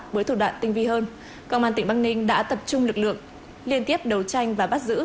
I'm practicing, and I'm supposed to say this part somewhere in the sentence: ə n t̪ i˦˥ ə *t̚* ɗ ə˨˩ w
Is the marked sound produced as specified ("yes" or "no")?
no